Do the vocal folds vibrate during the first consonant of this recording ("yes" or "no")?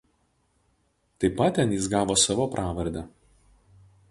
no